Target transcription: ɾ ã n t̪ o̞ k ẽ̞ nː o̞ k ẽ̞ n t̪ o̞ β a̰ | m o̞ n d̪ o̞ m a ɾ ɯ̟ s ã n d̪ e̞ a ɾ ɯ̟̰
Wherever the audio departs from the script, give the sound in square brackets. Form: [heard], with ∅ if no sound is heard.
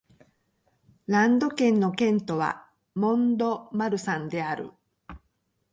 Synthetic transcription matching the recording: ɾ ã n [d̪] o̞ k ẽ̞ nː o̞ k ẽ̞ n t̪ o̞ β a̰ | m [õ̞] n d̪ o̞ m a ɾ ɯ̟ s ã n d̪ e̞ a ɾ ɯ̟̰